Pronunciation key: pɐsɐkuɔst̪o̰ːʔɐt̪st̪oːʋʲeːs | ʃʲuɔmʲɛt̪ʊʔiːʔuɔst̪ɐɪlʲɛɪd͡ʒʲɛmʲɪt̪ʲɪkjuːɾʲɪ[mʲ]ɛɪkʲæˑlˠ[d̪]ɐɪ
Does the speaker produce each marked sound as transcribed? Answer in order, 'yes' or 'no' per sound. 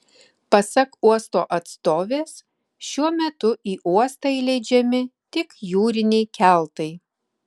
no, no

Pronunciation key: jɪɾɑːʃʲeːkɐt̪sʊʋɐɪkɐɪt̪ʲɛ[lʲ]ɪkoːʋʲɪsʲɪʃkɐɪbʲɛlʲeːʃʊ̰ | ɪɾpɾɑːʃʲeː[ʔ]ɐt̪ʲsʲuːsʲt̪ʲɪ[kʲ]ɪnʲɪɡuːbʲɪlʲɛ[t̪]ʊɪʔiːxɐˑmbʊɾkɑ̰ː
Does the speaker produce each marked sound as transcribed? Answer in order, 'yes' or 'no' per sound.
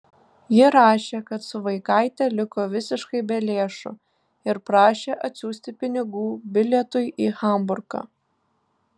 yes, yes, no, yes

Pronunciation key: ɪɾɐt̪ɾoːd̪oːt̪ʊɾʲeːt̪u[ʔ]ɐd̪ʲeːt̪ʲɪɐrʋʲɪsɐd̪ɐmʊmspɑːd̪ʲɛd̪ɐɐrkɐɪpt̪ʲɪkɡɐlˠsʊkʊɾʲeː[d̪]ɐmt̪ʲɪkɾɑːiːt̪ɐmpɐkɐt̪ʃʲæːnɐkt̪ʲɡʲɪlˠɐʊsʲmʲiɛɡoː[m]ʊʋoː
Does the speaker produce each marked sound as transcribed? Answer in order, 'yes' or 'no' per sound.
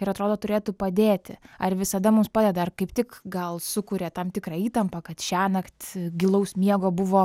no, no, no

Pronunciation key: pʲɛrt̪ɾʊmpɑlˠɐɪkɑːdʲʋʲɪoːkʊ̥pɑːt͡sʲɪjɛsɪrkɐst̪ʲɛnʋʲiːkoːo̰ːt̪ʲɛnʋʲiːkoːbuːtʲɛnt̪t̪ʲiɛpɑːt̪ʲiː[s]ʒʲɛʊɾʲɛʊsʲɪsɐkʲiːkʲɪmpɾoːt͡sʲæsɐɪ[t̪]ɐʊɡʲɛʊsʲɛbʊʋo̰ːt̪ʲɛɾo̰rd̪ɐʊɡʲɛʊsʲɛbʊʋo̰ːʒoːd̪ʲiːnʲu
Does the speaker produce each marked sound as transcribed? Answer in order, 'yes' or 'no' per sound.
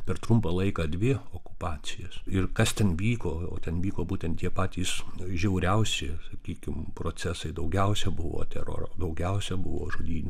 yes, no

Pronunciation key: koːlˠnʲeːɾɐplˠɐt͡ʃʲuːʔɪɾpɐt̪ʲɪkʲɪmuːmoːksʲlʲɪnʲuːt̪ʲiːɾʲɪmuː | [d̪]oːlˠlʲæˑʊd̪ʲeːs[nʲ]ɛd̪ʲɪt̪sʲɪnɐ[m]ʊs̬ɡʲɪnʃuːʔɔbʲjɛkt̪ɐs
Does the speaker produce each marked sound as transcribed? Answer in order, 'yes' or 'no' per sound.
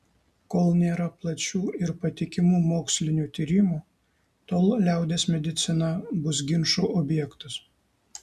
no, no, no

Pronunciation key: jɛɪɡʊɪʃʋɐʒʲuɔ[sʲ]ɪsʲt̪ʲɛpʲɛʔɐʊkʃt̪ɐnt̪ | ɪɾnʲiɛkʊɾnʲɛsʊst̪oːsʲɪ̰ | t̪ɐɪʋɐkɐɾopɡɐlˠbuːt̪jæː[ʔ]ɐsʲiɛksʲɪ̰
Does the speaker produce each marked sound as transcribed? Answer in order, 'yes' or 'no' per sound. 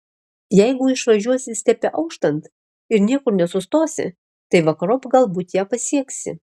yes, no

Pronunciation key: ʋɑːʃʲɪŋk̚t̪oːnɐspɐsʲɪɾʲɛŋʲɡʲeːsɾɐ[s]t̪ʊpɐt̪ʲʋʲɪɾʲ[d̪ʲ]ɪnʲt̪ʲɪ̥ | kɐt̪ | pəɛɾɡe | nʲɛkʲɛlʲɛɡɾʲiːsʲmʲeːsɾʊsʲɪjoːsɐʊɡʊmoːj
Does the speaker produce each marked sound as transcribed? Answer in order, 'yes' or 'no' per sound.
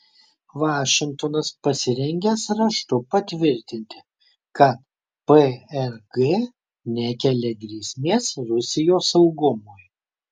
no, no

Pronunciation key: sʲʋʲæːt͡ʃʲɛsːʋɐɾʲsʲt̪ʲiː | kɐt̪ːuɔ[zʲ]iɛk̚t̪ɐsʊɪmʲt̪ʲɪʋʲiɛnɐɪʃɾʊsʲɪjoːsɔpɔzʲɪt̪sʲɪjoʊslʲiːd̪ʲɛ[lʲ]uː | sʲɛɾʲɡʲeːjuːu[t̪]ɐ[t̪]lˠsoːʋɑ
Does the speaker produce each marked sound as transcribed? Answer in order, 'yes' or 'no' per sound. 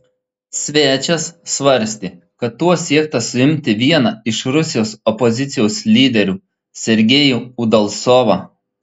no, no, no, no

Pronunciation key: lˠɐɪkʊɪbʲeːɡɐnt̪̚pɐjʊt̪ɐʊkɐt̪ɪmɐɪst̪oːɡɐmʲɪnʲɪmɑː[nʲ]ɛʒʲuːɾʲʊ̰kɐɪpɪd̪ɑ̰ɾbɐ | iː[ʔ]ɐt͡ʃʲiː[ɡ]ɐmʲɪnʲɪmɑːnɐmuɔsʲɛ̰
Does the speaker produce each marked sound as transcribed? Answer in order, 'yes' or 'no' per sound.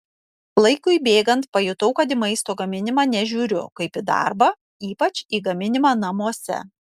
yes, no, yes

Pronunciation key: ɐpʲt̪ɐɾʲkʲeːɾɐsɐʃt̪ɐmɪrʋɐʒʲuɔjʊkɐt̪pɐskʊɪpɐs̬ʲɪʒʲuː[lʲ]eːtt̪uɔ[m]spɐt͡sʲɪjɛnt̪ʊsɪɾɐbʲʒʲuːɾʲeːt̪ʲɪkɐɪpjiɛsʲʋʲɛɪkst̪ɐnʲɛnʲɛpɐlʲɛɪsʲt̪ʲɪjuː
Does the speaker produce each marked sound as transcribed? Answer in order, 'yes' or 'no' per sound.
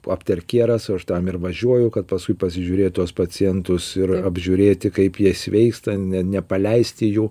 no, no

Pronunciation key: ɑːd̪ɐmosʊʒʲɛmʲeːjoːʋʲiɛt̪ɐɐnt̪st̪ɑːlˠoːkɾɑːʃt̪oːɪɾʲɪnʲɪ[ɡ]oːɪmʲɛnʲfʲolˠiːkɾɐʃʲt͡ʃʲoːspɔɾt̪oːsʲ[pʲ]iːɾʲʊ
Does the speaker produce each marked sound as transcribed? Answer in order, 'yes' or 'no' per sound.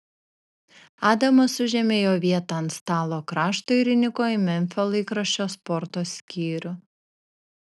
no, no

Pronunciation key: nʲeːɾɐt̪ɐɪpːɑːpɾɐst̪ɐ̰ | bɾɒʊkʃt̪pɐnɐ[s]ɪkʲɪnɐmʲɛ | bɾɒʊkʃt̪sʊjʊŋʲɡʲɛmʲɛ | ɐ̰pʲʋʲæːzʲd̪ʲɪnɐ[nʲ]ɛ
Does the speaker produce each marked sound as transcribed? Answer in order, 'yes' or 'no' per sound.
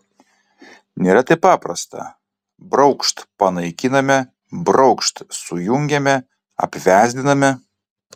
no, no

